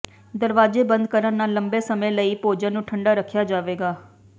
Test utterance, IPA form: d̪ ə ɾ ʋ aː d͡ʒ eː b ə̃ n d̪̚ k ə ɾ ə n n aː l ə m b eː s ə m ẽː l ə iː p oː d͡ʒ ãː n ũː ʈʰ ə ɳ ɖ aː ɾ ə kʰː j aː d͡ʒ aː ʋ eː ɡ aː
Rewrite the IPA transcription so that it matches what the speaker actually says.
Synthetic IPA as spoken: d̪ ə ɾ ʋ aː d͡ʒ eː b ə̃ n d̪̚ k ə ɾ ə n n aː l ə m b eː s ə m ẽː l ə iː p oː d͡ʒ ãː n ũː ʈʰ ə ɳ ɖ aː ɾ ə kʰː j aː d͡ʒ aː ʋ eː ɡ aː